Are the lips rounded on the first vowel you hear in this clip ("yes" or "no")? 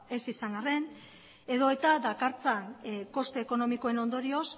no